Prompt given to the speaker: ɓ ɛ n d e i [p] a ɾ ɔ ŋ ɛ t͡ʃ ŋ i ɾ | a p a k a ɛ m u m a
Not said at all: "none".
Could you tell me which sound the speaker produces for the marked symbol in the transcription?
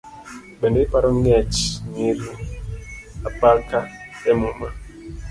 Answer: p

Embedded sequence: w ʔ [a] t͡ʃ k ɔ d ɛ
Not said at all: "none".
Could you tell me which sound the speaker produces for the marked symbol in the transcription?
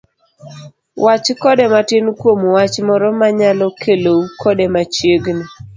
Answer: a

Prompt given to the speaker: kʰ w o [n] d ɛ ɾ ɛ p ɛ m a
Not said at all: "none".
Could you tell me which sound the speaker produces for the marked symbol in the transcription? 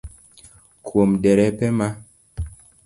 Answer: m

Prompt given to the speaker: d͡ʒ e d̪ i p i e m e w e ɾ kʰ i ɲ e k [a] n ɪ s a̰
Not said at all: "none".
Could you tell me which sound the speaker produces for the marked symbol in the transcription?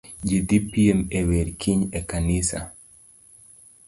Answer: a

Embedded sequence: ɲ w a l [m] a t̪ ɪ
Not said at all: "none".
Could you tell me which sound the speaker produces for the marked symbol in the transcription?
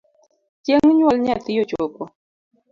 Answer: ɲ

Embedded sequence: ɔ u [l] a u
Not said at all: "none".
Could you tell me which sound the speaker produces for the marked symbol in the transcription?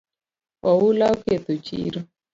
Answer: l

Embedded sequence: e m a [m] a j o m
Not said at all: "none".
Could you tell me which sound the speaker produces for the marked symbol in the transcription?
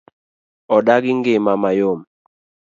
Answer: m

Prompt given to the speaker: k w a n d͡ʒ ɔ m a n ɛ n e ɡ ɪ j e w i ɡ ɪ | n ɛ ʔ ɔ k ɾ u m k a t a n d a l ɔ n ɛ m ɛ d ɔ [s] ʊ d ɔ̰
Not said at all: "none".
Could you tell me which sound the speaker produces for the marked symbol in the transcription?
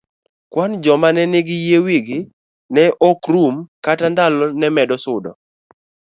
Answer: s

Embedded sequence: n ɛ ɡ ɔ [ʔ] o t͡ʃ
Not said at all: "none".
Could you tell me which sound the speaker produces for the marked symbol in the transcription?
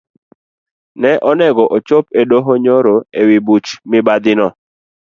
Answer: ʔ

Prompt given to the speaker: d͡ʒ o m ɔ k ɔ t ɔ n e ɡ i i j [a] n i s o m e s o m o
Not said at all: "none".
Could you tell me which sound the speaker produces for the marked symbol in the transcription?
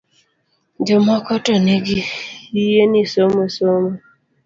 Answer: e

